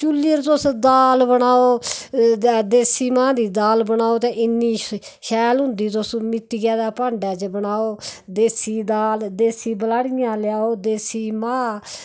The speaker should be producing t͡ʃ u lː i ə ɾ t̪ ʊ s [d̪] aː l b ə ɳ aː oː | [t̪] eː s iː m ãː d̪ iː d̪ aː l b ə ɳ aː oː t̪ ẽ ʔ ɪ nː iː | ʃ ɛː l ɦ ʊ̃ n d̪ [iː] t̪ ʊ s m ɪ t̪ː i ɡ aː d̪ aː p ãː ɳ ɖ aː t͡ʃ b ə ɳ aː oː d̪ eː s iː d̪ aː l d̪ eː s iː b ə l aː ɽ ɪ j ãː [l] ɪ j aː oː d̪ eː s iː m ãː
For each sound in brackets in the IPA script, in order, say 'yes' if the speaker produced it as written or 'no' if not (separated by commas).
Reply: yes, no, yes, yes